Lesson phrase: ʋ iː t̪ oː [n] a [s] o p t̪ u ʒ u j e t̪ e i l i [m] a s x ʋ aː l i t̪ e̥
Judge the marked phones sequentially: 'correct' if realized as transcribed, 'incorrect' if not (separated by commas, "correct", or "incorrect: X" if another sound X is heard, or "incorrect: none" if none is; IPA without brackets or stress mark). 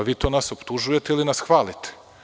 correct, correct, incorrect: n